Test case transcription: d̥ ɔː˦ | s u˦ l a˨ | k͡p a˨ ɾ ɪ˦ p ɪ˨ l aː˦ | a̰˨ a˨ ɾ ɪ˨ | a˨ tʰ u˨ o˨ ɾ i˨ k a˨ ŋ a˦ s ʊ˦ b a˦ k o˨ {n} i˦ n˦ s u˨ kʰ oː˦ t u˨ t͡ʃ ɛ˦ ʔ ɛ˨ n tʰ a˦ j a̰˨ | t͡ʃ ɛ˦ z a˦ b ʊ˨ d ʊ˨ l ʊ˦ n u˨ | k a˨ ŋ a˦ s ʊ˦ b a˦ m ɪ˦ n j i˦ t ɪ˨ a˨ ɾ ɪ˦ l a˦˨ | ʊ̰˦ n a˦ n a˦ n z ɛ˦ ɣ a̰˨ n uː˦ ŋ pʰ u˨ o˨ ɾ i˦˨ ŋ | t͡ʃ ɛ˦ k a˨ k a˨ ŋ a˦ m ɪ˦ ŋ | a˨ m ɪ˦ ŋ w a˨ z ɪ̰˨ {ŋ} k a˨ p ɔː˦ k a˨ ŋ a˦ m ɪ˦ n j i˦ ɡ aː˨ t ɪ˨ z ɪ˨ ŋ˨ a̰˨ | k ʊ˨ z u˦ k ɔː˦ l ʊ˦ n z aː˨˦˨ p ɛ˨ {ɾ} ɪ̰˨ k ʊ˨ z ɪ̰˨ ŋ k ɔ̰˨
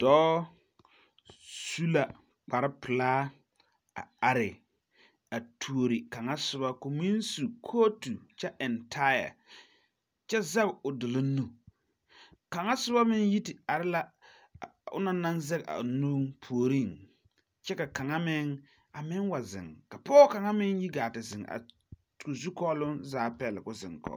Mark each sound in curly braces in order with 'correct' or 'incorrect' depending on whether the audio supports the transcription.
incorrect, correct, incorrect

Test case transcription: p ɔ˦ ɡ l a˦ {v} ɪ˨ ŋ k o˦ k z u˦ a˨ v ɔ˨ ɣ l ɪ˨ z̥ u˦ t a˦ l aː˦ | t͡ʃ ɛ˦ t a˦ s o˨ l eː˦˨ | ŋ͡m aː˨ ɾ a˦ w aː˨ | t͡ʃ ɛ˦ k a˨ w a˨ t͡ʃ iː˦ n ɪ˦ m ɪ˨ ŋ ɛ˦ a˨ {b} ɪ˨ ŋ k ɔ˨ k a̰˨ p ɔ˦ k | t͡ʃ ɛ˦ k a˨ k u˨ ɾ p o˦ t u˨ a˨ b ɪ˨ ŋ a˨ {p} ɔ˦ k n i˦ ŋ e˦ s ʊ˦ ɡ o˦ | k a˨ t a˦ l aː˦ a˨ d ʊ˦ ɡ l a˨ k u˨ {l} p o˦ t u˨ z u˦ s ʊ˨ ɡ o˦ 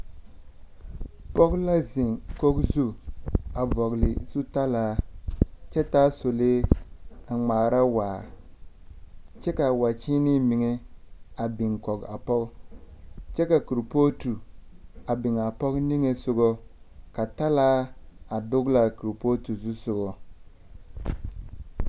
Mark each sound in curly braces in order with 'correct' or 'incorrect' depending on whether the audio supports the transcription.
incorrect, correct, correct, incorrect

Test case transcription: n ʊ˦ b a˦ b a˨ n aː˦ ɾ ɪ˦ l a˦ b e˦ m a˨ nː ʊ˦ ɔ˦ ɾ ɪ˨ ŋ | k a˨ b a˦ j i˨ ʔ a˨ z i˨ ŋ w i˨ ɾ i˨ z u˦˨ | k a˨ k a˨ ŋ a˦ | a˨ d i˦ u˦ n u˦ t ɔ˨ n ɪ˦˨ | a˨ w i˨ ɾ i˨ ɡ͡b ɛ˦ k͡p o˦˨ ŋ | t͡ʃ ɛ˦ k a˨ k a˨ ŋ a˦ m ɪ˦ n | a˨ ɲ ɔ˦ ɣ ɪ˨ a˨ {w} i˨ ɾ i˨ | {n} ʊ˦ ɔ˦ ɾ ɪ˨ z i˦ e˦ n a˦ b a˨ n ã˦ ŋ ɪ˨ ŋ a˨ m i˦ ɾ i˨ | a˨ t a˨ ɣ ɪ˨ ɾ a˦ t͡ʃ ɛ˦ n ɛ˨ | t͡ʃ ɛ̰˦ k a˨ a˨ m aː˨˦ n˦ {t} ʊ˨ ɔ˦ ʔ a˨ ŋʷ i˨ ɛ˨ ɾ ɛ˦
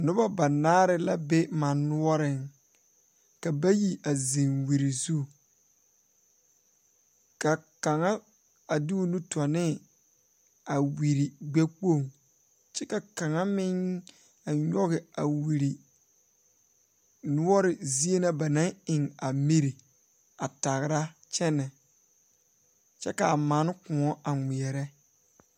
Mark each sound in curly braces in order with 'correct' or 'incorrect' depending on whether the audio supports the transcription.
correct, correct, incorrect

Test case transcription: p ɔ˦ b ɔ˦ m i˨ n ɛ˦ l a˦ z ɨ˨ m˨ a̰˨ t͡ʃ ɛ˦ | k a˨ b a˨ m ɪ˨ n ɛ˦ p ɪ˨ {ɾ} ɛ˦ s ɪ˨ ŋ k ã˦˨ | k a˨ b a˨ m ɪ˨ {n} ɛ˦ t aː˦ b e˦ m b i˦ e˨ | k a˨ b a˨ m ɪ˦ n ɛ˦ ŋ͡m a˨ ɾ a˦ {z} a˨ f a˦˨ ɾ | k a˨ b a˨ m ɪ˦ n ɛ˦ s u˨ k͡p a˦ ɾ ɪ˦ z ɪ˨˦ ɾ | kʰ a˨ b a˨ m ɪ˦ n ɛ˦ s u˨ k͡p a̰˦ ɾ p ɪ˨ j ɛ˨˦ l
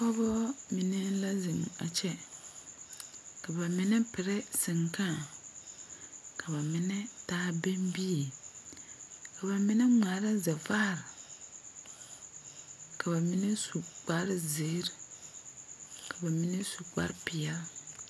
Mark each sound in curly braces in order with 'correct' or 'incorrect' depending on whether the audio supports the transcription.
correct, correct, correct

